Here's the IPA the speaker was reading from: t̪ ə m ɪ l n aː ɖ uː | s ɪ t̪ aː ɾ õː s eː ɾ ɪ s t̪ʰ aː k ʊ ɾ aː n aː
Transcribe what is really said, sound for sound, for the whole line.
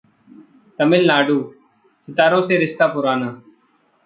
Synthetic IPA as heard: t̪ ə m ɪ l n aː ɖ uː | s ɪ t̪ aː ɾ õː s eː ɾ ɪ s t̪ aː p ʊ ɾ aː n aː